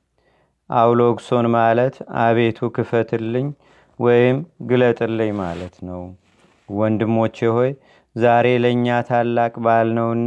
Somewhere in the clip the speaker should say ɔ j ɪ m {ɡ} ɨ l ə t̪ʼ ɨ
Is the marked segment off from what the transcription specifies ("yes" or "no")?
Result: no